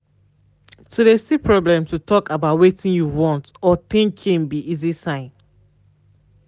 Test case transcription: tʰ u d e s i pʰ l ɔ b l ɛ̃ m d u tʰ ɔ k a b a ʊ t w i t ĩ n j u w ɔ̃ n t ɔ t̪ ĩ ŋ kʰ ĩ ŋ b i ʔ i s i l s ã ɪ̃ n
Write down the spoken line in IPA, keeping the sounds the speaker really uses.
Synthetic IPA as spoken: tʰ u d e s i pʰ ɹ ɔ b l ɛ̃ m t u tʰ ɔ k a b a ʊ t w e t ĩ n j u w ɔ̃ n t ɔ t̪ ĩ ŋ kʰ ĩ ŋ b i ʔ i z i s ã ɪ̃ n